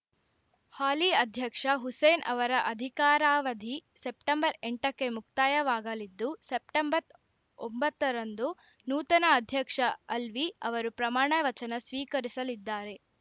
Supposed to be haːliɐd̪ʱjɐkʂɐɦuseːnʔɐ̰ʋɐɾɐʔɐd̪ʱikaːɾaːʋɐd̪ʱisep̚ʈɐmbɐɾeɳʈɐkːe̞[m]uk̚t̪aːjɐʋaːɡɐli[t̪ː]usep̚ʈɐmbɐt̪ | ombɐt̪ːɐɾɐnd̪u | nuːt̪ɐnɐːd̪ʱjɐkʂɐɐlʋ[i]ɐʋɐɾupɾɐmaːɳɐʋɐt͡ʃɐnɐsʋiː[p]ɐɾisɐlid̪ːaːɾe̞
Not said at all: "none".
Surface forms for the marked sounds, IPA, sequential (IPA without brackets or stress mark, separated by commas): m, d̪ː, i, k